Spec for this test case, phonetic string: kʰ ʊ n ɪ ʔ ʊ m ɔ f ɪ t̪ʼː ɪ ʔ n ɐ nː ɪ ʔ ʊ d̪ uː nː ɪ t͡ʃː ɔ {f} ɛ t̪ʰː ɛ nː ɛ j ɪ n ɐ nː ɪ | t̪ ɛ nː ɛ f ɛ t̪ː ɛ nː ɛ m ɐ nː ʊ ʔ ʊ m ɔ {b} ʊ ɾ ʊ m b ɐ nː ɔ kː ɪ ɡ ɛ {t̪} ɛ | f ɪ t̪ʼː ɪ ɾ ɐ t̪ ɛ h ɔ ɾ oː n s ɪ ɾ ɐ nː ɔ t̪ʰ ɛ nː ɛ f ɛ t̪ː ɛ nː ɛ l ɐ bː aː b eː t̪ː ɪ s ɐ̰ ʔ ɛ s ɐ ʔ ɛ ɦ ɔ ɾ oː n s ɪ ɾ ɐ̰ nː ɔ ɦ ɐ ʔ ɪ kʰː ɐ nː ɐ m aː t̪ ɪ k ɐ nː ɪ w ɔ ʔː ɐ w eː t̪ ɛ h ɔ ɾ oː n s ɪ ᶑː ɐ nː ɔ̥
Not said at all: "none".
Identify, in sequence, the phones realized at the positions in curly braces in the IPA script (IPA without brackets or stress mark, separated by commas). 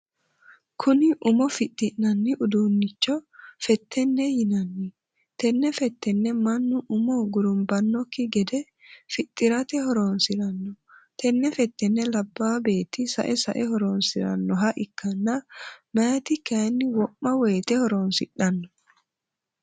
f, ɡ, d̪